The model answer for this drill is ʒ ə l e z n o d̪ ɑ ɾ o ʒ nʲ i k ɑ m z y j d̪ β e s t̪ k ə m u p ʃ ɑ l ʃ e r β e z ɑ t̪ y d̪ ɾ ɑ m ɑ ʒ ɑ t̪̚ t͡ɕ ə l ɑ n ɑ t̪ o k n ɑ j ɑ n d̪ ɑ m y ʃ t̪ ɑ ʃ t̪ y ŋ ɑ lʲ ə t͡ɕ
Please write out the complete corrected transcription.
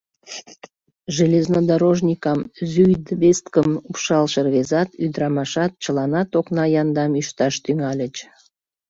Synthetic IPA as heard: ʒ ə l e z n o d̪ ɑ ɾ o ʒ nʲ i k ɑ m z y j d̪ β e s t̪ k ə m u p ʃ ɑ l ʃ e r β e z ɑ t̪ y d̪ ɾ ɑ m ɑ ʃ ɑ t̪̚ t͡ɕ ə l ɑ n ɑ t̪ o k n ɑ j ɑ n d̪ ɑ m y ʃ t̪ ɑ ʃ t̪ y ŋ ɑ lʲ ə t͡ɕ